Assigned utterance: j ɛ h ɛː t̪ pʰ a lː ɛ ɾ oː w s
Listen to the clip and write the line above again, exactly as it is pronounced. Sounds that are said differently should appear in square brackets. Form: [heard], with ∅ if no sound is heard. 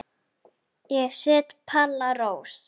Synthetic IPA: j ɛ [s] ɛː t̪ pʰ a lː [a] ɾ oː w s